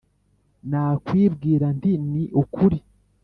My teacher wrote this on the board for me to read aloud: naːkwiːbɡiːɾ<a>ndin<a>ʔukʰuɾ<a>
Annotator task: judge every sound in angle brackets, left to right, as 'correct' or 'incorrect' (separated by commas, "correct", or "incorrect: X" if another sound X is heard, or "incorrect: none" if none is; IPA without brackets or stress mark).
correct, incorrect: i, incorrect: i